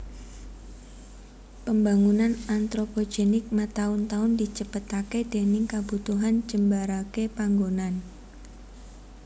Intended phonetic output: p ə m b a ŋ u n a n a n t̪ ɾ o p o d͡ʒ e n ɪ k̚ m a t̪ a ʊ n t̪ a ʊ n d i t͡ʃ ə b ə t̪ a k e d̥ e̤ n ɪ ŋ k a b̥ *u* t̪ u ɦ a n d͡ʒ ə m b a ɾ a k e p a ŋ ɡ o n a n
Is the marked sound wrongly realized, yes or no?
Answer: no